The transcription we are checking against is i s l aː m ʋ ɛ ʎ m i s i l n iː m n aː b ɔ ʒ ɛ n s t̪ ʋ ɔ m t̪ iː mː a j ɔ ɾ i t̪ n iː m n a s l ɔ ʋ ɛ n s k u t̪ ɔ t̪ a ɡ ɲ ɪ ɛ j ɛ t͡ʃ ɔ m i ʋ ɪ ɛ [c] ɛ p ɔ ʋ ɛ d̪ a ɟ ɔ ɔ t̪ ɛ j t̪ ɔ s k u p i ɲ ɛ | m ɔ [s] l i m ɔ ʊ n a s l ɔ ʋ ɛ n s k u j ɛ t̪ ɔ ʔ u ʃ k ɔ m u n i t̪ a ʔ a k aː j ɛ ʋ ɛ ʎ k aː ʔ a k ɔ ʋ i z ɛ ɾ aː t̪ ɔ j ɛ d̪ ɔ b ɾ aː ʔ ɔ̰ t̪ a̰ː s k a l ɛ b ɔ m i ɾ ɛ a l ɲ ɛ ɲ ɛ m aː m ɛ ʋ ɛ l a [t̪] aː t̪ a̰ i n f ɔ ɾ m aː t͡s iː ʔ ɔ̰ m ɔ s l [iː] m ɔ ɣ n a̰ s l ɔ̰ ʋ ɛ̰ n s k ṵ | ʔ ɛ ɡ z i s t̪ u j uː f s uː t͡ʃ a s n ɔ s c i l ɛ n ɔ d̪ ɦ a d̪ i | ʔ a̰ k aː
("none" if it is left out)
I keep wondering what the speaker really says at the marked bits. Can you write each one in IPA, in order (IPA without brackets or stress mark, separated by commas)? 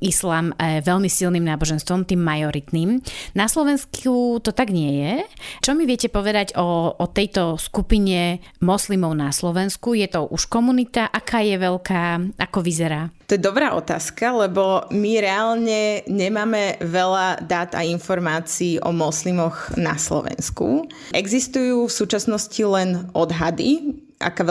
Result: c, s, d̪, i